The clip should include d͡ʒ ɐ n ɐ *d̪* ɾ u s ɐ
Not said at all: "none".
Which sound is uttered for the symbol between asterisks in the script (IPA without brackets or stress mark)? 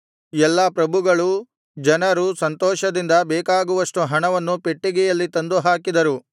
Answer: none